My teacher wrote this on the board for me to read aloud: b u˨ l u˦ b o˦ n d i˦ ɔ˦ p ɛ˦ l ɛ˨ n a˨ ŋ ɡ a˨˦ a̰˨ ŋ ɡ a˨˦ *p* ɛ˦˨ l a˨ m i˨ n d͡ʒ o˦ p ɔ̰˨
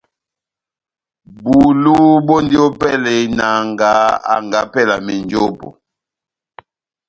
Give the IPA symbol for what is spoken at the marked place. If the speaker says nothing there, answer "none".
p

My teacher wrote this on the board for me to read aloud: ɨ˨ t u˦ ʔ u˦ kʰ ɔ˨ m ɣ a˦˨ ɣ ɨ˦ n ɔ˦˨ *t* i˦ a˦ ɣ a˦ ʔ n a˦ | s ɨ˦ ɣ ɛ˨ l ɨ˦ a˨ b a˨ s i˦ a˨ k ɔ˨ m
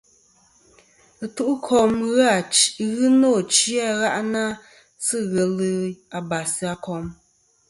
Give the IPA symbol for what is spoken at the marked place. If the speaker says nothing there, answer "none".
t͡ʃ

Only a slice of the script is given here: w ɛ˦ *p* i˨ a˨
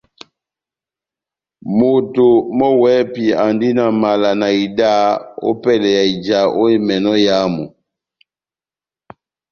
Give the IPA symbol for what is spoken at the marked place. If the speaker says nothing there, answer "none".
p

